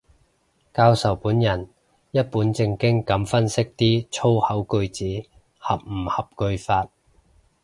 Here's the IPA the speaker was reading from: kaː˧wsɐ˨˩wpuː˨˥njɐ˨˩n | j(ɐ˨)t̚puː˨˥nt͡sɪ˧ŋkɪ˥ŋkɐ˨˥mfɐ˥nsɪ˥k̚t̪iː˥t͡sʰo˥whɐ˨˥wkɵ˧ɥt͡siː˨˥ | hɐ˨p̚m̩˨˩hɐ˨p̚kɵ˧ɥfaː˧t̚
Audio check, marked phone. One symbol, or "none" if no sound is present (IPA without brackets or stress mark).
ɐ˥